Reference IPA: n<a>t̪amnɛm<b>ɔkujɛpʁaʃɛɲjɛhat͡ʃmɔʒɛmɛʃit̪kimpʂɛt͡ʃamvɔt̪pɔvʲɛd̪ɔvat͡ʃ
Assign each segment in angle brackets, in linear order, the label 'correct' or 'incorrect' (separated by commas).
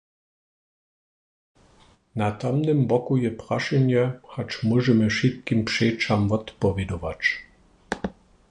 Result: correct, correct